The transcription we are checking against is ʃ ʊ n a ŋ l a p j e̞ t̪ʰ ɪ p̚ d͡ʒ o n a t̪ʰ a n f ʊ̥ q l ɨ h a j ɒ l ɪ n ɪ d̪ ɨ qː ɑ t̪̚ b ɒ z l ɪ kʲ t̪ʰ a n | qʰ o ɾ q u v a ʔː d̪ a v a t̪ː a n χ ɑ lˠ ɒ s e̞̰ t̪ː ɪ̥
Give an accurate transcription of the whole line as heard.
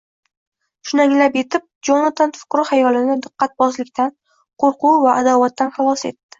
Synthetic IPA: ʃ ʊ n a ŋ l a p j e̞ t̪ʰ ɪ p̚ d͡ʒ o n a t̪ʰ a n f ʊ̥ q ɾ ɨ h a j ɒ l ɪ n ɪ d̪ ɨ qː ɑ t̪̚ b ɒ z l ɪ kʲ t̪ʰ a n | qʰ o ɾ q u v a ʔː d̪ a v a t̪ː a n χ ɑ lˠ ɒ s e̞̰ t̪ː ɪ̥

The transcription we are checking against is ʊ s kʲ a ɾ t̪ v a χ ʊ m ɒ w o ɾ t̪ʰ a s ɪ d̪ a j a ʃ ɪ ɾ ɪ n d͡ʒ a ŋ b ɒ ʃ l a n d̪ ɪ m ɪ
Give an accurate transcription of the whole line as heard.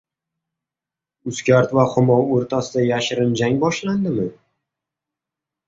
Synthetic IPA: ʊ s kʲ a ɾ t̪ v a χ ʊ m ɒ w o ɾ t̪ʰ a s ɪ d̪ a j a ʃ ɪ ɾ ɪ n d͡ʒ a ŋ b ɒ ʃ l a n d̪ ɪ m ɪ

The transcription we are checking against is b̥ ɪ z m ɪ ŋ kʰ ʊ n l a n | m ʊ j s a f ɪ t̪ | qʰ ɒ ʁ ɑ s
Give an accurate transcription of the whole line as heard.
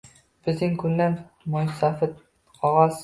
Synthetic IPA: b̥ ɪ z n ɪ ŋ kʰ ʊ n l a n | m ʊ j s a f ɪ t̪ | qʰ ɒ ʁ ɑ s

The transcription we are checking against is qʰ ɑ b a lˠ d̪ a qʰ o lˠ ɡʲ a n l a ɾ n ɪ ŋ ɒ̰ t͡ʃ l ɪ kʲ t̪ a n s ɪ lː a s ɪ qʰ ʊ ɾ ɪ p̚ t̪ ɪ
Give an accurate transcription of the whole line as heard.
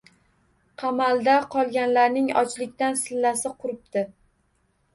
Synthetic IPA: qʰ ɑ m a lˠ d̪ a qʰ ɒ lˠ ɡʲ a n l a ɾ n ɪ ŋ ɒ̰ t͡ʃ l ɪ kʲ t̪ a n s ɪ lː a s ɪ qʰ ʊ ɾ ɪ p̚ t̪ ɪ

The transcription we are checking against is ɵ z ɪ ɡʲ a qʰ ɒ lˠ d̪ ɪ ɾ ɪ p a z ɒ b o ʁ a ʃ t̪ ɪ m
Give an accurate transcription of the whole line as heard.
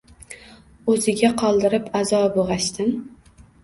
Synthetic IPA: ɵ z ɪ ɡʲ a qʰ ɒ lˠ d̪ ɪ ɾ ɪ p a z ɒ b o ʁ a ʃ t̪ ɪ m

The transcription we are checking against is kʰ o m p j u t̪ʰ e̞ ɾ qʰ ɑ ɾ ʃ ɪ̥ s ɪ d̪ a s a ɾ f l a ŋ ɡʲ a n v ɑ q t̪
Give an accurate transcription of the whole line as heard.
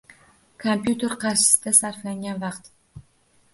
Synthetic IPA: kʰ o m p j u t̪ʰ e̞ ɾ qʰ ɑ ɾ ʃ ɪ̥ s ɪ d̪ a s a ɾ f l a ŋ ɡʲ a n v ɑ q t̪

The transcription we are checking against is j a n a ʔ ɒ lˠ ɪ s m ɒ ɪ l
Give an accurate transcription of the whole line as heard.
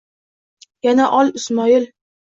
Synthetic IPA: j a n a ʔ ɒ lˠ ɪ s m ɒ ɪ l

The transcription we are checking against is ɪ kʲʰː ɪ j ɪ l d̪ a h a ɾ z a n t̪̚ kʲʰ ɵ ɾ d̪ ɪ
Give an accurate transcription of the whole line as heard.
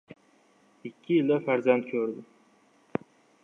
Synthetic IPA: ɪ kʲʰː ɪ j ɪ l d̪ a f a ɾ z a n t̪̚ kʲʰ ɵ ɾ d̪ ɪ

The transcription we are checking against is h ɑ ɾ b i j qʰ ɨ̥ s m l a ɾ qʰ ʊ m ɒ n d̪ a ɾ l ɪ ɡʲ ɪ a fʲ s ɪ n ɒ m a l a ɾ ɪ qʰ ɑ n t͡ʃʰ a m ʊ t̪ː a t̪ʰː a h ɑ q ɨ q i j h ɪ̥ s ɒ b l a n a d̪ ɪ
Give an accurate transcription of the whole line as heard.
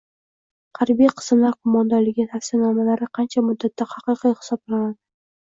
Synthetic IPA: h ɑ ɾ b i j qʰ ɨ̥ s m l a ɾ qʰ ʊ m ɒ n d̪ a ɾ l ɪ ɡʲ ɪ a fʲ s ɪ n ɒ m a l a ɾ ɪ qʰ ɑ n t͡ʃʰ a m ʊ d̪ː a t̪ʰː a h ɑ q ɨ q i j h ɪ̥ s ɒ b l a n a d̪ ɪ

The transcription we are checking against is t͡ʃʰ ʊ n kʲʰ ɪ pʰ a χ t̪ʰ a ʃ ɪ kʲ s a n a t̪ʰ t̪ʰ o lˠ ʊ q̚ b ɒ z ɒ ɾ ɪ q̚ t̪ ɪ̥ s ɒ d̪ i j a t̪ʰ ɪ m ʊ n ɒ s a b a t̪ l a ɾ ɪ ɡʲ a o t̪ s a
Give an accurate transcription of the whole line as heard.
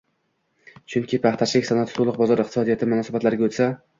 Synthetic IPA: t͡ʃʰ ʊ ŋ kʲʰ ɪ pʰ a χ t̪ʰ a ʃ ɪ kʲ s a n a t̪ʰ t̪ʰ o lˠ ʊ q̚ b ɒ z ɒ ɾ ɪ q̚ t̪ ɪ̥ s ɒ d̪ i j a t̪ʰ ɪ m ʊ n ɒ s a b a t̪ l a ɾ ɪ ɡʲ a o t̪ s a

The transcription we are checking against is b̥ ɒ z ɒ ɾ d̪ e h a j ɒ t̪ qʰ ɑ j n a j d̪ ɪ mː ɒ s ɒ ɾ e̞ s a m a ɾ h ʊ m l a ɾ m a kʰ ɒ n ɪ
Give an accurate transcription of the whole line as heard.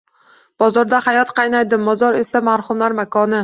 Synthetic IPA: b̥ ɒ z ɒ ɾ d̪ a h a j ɒ t̪ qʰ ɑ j n a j d̪ ɪ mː ɒ z ɒ ɾ e̞ s a m a ɾ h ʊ m l a ɾ m a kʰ ɒ n ɪ

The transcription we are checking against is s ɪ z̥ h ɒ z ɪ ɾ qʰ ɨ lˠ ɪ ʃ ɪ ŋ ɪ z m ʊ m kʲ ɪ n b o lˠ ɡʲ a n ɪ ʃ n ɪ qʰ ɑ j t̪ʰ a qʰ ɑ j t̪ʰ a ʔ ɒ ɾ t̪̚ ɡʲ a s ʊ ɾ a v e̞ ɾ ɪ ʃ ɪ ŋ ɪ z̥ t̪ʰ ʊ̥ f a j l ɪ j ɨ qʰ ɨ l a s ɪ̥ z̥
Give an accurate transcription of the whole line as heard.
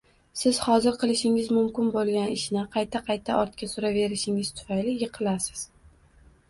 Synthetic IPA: s ɪ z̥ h ɒ z ɪ ɾ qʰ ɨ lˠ ɪ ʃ ɪ ŋ ɪ z m ʊ m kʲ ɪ n b o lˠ ɡʲ a n ɪ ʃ n ɪ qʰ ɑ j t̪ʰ a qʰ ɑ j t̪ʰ a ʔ ɒ ɾ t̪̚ kʲ a s ʊ ɾ a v e̞ ɾ ɪ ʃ ɪ ŋ ɪ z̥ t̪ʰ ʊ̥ f a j l ɪ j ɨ qʰ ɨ l a s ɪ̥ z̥

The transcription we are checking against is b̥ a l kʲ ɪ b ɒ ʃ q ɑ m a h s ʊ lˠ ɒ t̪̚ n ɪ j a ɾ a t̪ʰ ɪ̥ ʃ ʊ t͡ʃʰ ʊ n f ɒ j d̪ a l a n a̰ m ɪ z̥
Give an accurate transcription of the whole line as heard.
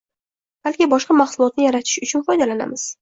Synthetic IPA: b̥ a l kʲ ɪ b ɒ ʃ q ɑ m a χ s ʊ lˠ ɒ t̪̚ n ɪ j a ɾ a t̪ʰ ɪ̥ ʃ ʊ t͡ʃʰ ʊ n f ɒ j d̪ a l a n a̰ m ɪ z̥

